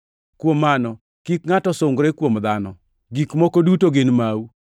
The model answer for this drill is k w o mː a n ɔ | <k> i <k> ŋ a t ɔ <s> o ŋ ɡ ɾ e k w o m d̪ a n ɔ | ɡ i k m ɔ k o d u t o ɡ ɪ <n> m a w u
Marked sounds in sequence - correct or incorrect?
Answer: correct, correct, correct, correct

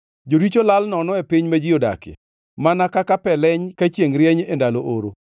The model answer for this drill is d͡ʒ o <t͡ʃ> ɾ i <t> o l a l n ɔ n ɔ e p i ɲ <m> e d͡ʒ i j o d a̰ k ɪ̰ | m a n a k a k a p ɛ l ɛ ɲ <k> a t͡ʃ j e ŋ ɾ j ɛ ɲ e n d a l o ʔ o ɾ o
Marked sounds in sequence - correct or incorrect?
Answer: incorrect: none, incorrect: t͡ʃ, correct, correct

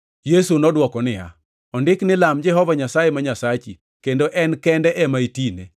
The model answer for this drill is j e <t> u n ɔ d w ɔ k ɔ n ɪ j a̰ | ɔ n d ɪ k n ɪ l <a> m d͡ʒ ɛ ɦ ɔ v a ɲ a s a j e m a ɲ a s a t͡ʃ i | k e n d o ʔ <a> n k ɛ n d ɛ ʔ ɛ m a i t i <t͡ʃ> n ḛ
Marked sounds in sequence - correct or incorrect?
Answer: incorrect: s, correct, incorrect: ɛ, incorrect: none

